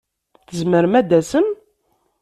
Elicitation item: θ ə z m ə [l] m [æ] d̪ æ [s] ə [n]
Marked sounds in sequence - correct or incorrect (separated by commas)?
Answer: incorrect, correct, correct, incorrect